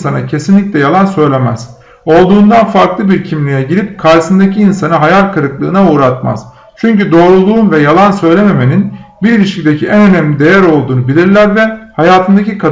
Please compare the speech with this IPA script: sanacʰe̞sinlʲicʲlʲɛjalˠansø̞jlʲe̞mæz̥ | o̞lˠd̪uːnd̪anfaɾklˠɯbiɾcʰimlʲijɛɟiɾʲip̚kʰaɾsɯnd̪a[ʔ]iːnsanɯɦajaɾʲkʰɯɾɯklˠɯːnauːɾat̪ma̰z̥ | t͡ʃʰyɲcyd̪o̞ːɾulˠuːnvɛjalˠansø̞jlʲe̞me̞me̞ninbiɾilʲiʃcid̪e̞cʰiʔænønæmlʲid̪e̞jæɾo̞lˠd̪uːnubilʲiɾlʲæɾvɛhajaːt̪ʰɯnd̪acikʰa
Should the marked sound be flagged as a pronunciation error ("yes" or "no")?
yes